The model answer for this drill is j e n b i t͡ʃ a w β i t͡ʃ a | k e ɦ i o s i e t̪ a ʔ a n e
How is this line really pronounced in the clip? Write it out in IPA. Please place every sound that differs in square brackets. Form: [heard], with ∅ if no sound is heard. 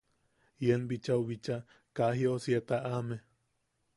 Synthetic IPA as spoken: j e n b i t͡ʃ a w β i t͡ʃ a | k [a] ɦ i o s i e t̪ a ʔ a [m] e